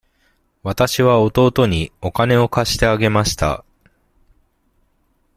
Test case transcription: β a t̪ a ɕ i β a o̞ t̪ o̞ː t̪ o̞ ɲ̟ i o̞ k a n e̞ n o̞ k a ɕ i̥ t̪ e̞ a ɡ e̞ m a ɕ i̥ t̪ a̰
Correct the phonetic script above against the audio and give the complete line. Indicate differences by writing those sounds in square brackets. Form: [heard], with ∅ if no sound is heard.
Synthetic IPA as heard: β a t̪ a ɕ i β a o̞ t̪ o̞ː t̪ o̞ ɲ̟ i o̞ k a n e̞ [∅] o̞ k a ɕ i̥ t̪ e̞ a ɡ e̞ m a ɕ i̥ t̪ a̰